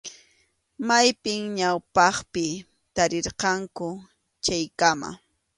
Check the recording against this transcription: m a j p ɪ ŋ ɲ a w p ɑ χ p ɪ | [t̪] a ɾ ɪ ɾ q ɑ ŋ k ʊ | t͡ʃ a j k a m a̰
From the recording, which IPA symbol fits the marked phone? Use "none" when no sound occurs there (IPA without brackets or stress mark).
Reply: t̪